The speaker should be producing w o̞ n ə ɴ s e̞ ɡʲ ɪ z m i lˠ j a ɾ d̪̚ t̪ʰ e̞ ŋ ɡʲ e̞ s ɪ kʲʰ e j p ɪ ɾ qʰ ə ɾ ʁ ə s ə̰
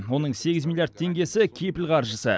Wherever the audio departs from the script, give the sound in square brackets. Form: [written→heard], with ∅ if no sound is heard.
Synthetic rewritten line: w o̞ n ə ɴ s e̞ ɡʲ ɪ z m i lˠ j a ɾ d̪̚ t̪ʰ e̞ ŋ ɡʲ e̞ s ɪ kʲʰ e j p ɪ [ɾ→l] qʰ [ə→ɑ] ɾ [ʁ→ʒ] ə s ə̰